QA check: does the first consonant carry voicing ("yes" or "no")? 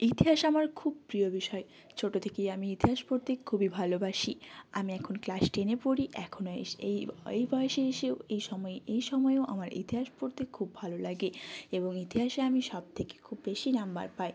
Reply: no